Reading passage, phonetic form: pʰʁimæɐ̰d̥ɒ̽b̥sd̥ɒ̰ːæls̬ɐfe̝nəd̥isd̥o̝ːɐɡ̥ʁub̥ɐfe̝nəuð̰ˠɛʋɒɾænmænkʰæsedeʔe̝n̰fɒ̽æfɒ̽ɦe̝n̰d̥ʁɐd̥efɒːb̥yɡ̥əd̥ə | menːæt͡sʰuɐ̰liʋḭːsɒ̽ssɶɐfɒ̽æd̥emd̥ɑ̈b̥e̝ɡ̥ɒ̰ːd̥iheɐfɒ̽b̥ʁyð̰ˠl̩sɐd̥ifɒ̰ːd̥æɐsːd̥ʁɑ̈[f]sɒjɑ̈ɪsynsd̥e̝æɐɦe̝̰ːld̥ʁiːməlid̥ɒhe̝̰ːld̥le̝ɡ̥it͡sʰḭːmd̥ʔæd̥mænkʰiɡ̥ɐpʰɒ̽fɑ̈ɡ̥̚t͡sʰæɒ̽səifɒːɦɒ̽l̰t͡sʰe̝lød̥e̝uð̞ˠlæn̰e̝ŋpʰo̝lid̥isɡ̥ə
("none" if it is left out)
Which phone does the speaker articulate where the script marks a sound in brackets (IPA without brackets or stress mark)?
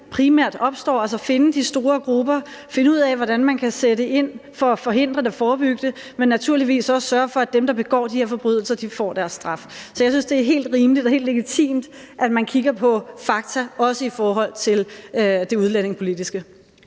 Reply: f